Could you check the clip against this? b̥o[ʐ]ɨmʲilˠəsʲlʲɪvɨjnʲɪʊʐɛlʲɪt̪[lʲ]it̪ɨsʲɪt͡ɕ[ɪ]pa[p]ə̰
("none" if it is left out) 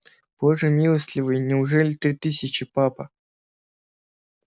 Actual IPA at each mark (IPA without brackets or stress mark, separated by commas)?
ʐ, ɾʲ, ɪ, p